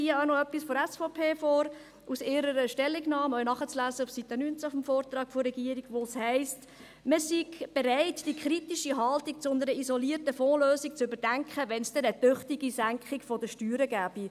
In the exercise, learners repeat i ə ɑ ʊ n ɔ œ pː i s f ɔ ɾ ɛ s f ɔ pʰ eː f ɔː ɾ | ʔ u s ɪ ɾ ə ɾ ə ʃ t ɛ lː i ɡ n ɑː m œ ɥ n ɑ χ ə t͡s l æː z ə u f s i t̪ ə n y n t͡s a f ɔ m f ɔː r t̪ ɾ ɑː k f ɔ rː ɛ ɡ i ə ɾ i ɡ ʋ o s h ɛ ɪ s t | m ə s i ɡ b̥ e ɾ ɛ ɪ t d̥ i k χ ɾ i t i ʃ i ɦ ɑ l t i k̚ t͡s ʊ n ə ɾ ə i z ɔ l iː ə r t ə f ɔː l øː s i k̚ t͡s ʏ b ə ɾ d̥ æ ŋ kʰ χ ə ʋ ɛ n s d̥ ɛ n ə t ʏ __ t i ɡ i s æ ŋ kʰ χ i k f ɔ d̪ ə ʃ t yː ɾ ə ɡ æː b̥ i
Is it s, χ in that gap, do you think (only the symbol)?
χ